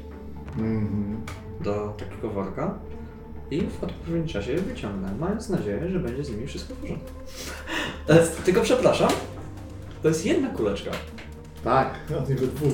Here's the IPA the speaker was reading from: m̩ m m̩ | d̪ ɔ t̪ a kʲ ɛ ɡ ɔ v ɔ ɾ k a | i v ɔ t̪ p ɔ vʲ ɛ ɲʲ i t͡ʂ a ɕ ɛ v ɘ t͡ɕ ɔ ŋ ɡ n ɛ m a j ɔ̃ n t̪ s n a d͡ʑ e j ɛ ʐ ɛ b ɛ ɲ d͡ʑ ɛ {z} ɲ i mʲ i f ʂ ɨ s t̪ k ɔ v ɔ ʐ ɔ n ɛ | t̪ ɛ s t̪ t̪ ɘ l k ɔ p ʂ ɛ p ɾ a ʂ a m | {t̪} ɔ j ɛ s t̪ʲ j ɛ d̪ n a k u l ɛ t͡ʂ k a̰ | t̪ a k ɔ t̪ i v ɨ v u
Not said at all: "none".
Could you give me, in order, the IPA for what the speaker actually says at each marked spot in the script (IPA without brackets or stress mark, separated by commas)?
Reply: z, t̪